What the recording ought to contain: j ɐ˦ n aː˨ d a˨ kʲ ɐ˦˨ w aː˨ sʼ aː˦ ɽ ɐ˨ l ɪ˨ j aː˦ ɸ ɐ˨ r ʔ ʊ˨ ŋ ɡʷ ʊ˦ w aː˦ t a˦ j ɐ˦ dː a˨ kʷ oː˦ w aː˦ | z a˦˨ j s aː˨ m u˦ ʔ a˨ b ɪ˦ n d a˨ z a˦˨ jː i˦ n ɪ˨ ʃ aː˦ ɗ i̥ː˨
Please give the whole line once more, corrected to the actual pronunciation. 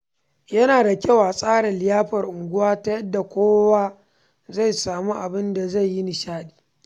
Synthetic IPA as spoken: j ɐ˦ n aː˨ d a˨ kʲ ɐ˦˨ w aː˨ sʼ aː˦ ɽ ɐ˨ l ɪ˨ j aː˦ ɸ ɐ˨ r ʔ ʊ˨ ŋ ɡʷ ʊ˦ w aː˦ t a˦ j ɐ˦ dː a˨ kʷ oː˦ w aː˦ | z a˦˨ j s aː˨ m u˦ ʔ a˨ b ɪ˦ n d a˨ z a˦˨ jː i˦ n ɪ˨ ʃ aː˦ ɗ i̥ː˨